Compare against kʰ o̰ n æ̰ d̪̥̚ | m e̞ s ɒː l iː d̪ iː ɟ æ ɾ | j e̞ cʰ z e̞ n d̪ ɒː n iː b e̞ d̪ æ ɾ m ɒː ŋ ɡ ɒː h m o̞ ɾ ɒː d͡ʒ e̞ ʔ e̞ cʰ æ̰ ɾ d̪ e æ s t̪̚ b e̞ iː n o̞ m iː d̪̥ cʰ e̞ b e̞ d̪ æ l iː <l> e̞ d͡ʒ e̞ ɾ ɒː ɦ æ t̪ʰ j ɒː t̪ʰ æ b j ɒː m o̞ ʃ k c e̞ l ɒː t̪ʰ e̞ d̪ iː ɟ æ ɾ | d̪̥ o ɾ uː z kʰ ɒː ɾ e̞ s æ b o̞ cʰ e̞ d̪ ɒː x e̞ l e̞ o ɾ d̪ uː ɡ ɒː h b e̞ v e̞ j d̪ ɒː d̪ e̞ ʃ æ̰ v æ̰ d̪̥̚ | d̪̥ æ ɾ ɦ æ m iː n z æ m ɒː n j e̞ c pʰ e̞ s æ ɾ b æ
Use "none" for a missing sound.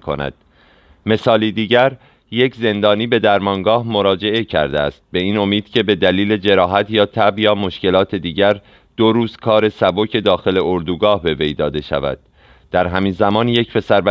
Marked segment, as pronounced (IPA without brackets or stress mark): l